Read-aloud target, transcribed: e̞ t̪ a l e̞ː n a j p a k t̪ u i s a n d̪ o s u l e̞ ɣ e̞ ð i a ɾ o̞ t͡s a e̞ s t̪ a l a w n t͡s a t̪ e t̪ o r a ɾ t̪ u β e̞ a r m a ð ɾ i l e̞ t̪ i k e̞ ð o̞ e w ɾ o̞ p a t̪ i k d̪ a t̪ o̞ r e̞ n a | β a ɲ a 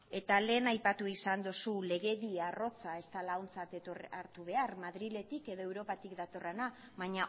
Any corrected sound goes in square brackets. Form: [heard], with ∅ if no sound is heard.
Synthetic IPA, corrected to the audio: e̞ t̪ a l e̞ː n a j p a [∅] t̪ u i s a n d̪ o s u l e̞ ɣ e̞ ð i a [r] o̞ t͡s a e̞ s t̪ a l a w n t͡s a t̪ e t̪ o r a ɾ t̪ u β e̞ a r m a ð ɾ i l e̞ t̪ i k e̞ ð o̞ e w ɾ o̞ p a t̪ i k d̪ a t̪ o̞ r e̞ n a | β a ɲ a